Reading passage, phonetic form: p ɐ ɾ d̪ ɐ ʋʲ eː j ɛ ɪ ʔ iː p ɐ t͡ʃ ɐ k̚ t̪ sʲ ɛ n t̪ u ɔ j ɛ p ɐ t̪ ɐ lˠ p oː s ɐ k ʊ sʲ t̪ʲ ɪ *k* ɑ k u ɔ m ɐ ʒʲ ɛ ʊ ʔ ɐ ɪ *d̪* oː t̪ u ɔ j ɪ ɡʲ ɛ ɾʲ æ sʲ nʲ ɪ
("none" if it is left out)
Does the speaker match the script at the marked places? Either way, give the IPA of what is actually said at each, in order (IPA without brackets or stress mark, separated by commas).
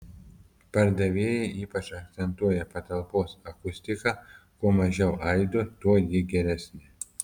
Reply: k, d̪